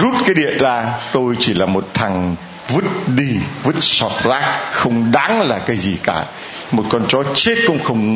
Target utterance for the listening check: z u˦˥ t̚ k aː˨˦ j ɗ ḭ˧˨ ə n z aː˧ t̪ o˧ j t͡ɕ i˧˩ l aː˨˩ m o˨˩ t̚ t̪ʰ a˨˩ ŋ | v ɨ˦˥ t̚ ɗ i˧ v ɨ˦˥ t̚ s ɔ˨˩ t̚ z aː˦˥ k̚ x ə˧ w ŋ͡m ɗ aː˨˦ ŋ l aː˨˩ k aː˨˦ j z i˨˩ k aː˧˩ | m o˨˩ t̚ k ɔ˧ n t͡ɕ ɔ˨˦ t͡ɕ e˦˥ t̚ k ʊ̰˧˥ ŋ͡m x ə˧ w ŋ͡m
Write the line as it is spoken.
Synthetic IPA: z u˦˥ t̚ k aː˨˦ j ɗ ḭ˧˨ ə n z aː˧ t̪ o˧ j t͡ɕ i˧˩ l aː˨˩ m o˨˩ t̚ t̪ʰ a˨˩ ŋ | v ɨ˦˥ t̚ ɗ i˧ v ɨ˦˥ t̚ s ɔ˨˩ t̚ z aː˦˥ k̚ x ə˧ w ŋ͡m ɗ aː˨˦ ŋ l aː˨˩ k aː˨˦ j z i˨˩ k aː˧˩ | m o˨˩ t̚ k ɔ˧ n t͡ɕ ɔ˨˦ t͡ɕ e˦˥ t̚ k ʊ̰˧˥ ŋ͡m x ə˧ w ŋ͡m